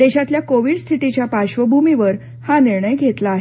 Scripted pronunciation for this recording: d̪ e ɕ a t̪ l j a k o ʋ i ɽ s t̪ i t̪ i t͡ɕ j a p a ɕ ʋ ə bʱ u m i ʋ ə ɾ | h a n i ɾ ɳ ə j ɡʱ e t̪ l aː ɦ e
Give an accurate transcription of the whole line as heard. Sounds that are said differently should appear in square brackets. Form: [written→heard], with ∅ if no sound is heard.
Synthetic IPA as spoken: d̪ e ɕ a t̪ l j a k o ʋ i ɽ s [t̪→t̪ʰ] i t̪ i t͡ɕ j a p a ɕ ʋ ə bʱ u m i ʋ ə ɾ | h a n i ɾ ɳ ə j ɡʱ e t̪ l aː ɦ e